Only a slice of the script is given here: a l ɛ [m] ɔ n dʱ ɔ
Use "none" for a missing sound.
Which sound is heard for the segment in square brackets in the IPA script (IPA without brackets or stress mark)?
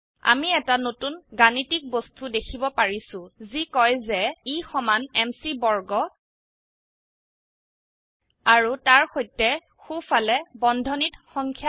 b